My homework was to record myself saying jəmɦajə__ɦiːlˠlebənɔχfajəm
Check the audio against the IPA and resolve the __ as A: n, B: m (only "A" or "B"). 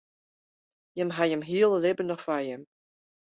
B